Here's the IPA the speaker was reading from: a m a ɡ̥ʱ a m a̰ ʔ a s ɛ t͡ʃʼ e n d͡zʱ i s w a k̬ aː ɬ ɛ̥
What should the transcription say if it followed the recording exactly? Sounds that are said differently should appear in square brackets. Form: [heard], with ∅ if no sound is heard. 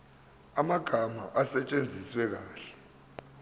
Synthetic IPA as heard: a m a ɡ̥ʱ a m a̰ ʔ a s ɛ t͡ʃʼ e n d͡zʱ i s w [ɛ] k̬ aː ɬ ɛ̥